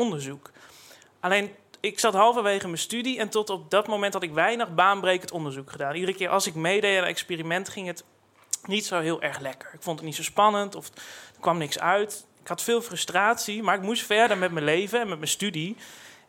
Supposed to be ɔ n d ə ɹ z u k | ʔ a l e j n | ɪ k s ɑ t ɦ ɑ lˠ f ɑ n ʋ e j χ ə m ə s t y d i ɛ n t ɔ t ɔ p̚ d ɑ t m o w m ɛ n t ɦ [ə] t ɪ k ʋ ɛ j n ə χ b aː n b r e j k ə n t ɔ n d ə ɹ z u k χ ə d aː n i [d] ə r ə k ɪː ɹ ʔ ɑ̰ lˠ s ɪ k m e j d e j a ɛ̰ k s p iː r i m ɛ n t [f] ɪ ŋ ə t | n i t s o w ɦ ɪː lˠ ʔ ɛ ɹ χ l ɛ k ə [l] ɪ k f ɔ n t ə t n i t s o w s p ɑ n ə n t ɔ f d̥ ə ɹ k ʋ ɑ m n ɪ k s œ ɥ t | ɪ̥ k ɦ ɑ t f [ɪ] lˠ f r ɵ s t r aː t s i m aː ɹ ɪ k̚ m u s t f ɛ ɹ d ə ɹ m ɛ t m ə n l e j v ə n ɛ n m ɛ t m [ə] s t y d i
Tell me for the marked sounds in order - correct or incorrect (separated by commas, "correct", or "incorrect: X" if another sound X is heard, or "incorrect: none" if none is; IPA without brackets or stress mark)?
incorrect: ɑ, correct, incorrect: χ, incorrect: ɹ, incorrect: ɪː, correct